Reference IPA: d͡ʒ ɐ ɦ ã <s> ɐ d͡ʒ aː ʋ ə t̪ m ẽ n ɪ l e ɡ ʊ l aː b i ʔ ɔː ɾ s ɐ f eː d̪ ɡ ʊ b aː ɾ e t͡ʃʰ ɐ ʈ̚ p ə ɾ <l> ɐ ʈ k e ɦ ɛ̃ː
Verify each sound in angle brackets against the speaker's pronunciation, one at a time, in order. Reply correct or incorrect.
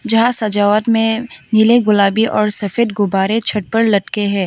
correct, correct

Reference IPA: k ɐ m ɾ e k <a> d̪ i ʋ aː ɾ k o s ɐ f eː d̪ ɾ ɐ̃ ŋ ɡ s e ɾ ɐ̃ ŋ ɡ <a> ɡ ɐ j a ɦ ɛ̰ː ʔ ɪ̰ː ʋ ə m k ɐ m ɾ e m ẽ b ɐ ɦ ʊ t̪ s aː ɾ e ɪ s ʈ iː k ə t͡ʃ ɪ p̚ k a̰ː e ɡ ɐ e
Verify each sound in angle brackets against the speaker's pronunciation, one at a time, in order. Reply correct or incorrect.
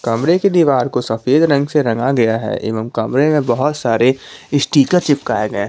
incorrect: e, correct

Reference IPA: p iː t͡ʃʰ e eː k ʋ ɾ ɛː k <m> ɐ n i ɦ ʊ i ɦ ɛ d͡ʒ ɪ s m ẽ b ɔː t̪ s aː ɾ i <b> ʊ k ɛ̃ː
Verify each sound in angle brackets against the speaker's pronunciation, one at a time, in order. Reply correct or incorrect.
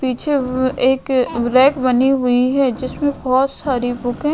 incorrect: b, correct

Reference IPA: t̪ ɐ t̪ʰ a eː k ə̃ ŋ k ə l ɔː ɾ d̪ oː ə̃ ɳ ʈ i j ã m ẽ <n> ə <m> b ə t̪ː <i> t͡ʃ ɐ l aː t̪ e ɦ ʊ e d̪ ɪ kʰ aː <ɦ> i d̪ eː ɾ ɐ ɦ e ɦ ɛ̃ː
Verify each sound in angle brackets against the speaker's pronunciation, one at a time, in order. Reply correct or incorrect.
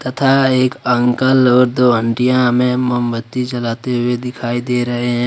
incorrect: m, correct, correct, incorrect: none

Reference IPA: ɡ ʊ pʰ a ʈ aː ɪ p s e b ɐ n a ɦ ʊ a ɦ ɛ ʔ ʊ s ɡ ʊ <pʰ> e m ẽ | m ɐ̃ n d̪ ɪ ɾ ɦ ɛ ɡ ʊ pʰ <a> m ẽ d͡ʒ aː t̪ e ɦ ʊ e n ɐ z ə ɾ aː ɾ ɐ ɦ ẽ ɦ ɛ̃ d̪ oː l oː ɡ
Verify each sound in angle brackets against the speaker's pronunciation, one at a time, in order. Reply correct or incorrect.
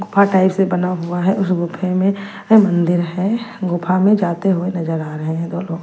correct, correct

